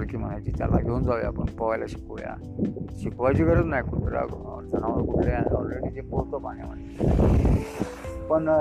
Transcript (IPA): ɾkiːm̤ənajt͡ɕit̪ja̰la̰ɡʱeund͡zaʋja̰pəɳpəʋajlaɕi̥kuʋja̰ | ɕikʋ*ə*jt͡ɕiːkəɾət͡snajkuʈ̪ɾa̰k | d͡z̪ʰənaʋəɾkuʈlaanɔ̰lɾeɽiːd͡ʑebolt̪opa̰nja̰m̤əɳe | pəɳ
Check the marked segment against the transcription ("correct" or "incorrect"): incorrect